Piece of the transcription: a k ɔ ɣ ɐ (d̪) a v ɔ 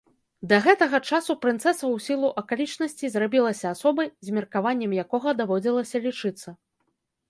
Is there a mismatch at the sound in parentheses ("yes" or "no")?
no